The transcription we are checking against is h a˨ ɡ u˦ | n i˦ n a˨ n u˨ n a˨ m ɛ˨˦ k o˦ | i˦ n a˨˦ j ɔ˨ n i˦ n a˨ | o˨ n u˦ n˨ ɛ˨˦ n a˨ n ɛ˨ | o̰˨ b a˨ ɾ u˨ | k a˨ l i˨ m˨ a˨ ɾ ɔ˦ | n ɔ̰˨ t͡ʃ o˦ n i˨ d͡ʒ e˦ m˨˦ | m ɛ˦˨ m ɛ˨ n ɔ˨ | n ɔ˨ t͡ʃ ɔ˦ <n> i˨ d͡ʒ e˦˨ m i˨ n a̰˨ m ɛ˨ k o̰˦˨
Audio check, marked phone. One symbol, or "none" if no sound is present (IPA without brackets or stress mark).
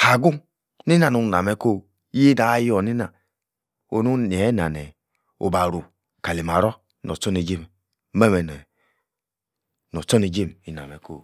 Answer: n